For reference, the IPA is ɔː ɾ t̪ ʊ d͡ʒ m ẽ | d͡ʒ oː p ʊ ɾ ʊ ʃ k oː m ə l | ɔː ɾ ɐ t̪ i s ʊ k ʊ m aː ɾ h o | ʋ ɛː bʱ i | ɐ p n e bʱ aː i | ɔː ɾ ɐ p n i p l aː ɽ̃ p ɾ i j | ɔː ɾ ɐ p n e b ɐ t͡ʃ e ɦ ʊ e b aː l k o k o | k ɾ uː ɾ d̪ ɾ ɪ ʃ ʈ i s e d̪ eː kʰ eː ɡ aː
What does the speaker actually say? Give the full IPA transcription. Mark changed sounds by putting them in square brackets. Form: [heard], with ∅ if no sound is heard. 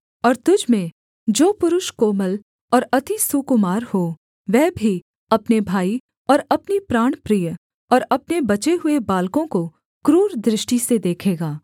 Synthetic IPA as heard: ɔː ɾ t̪ ʊ d͡ʒ m ẽ | d͡ʒ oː p ʊ ɾ ʊ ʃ k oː m ə l | ɔː ɾ ɐ t̪ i s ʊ k ʊ m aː ɾ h o | ʋ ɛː bʱ i | ɐ p n e bʱ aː i | ɔː ɾ ɐ p n i p [ɾ] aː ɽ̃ p ɾ i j | ɔː ɾ ɐ p n e b ɐ t͡ʃ e ɦ ʊ e b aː l k [õ] k o | k ɾ uː ɾ d̪ ɾ ɪ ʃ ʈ i s e d̪ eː kʰ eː ɡ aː